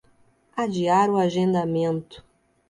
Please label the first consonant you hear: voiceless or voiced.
voiced